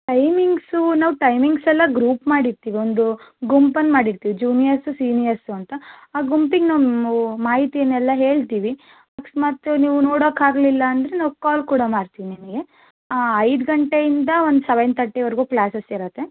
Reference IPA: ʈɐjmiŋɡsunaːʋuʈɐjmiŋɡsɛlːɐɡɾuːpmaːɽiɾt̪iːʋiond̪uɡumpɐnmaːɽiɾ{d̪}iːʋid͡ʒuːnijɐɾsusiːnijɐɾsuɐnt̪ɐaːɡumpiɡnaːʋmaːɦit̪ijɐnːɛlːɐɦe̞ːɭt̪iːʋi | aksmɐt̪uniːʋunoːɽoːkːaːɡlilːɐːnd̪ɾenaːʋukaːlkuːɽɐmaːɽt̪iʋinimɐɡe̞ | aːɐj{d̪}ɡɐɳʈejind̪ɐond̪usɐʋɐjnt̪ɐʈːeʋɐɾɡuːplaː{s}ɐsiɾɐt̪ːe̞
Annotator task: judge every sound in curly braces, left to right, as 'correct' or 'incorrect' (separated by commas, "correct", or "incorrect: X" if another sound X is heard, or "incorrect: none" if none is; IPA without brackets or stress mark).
incorrect: t̪, correct, correct